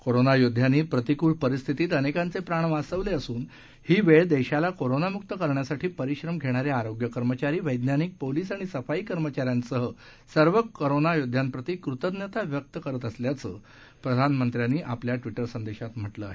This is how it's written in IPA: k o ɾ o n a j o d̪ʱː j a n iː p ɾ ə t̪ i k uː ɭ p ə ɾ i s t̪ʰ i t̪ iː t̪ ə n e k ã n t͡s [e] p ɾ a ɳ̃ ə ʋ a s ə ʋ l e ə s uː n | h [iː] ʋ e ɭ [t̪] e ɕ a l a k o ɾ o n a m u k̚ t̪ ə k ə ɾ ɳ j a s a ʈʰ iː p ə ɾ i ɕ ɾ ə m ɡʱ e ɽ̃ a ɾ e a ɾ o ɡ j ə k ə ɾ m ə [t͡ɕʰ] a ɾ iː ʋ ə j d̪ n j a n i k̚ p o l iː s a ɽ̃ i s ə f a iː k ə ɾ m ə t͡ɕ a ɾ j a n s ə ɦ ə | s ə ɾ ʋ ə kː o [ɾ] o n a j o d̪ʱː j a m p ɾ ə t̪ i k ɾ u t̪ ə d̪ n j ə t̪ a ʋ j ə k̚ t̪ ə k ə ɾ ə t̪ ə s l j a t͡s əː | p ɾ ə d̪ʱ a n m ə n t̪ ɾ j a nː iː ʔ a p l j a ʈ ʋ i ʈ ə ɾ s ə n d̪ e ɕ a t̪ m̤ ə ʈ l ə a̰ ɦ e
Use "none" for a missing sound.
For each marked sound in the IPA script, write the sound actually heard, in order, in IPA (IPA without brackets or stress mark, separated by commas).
e, iː, d̪, t͡ɕ, ɾ